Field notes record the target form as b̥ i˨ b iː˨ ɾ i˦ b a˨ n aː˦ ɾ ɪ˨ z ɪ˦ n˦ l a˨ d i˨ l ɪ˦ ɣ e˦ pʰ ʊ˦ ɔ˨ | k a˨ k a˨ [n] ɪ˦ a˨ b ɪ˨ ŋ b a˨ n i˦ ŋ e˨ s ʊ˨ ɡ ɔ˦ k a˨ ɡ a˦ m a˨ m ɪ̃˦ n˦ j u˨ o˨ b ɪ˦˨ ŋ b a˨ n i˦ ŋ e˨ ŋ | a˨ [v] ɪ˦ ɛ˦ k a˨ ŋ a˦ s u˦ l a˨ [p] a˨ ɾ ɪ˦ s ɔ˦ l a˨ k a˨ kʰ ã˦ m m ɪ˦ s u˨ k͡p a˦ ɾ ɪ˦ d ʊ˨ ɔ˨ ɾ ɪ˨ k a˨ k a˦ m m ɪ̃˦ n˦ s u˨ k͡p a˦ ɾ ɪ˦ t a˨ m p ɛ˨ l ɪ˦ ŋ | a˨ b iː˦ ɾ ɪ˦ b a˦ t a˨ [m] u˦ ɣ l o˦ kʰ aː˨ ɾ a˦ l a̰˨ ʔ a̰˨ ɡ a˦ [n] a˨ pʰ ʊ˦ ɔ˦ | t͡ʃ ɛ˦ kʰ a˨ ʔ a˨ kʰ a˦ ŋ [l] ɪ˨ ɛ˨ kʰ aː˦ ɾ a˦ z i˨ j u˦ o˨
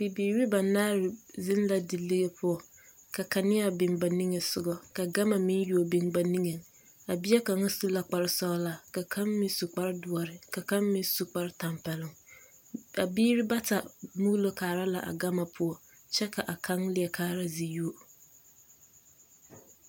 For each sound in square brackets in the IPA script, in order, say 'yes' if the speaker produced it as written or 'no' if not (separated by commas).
yes, no, no, yes, no, yes